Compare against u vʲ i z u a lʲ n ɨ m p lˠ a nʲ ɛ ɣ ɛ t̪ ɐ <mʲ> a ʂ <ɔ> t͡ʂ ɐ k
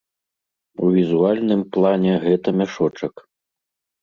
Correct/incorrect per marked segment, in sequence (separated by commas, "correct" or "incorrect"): correct, correct